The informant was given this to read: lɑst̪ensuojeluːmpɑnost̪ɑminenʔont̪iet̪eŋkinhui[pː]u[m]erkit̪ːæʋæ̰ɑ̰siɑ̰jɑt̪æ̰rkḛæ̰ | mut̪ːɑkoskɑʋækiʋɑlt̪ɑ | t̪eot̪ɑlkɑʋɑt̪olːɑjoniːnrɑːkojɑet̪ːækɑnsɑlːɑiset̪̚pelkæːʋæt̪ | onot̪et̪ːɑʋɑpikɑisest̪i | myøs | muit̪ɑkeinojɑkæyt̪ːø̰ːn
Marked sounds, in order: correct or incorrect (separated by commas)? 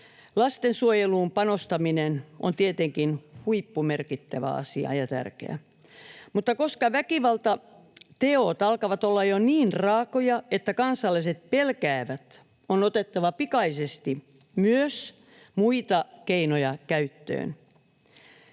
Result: correct, correct